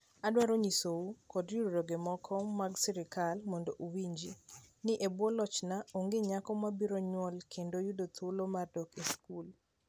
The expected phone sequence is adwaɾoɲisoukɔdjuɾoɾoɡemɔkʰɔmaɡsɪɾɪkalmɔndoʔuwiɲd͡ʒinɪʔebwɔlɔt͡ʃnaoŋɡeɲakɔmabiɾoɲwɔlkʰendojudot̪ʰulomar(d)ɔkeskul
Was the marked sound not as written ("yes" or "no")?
no